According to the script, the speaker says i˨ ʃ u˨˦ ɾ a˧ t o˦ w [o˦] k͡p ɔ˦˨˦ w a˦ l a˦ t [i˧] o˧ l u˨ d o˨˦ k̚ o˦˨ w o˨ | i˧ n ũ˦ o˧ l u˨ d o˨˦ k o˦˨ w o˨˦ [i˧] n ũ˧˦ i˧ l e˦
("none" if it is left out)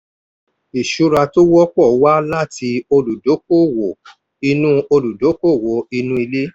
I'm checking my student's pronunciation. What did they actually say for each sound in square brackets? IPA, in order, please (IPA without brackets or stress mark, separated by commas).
ɔ˦, i˧, i˧